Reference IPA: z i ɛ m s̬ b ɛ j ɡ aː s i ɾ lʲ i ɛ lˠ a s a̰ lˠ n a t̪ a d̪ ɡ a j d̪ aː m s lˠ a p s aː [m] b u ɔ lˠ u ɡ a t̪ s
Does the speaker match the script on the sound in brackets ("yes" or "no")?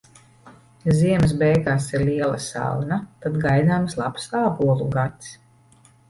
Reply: no